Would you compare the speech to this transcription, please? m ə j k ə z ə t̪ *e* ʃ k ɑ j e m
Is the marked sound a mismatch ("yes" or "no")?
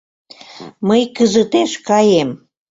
no